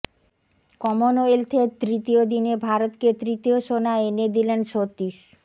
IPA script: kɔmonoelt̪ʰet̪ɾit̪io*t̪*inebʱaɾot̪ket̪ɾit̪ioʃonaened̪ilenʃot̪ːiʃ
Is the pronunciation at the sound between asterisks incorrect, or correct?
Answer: incorrect